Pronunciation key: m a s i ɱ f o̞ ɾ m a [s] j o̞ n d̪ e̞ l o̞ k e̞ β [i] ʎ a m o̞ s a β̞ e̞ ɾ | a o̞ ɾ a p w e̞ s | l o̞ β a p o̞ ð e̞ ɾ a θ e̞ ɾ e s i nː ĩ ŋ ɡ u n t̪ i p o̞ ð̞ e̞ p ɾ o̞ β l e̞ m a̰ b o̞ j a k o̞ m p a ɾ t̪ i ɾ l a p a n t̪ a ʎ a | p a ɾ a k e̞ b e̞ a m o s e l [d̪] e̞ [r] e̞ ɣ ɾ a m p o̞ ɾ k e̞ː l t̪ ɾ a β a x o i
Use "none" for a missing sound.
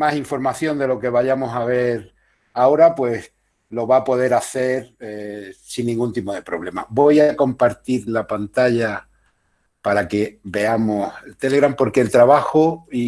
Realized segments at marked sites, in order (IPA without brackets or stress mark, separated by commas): θ, a, t̪, l